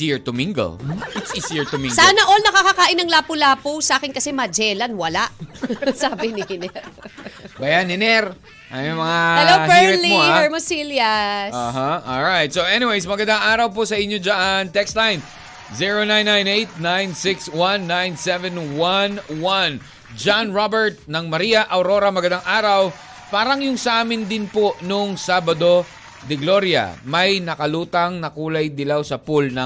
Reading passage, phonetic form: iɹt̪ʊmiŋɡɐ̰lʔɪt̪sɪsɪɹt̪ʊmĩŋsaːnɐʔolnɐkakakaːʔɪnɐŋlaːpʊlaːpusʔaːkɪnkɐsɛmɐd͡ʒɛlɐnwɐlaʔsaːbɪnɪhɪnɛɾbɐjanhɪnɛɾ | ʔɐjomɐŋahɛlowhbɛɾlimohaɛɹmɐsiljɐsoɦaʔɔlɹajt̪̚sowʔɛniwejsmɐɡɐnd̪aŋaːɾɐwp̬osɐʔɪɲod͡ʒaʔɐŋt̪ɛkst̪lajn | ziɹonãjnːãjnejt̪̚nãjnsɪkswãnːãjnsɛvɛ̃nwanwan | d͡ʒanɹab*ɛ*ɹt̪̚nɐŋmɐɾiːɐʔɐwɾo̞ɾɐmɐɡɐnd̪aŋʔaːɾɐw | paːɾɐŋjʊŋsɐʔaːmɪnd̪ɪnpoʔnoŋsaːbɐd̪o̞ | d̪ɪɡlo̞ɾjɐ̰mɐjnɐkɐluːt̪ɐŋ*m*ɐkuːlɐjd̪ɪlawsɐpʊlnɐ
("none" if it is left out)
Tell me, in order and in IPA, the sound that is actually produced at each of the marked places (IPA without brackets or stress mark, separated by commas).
ɛ, n